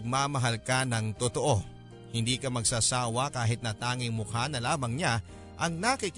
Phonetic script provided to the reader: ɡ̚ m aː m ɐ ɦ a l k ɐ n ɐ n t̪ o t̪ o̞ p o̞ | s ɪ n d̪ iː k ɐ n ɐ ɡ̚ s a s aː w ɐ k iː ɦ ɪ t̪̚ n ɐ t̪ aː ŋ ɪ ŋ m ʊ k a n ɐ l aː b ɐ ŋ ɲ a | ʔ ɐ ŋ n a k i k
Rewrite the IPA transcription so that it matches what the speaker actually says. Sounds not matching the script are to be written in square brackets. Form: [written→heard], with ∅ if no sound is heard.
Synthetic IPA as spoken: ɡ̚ m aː m ɐ ɦ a l k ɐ n ɐ [n→ŋ] t̪ o t̪ o̞ [p→ʔ] o̞ | [s→h] ɪ n d̪ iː k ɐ [n→m] ɐ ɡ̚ s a s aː w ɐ k [iː→aː] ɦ ɪ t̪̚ n ɐ t̪ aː ŋ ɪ ŋ m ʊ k a n ɐ l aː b ɐ ŋ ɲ a | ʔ ɐ ŋ n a k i k